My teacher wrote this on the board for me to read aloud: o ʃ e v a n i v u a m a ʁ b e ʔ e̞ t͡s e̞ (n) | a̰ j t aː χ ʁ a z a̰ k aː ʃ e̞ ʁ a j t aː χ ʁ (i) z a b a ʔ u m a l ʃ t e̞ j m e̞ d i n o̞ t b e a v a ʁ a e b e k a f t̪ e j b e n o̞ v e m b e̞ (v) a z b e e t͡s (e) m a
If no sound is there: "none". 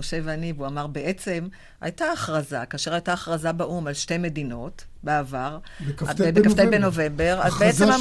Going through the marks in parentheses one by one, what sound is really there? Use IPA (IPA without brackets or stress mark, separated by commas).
m, a, ʁ, e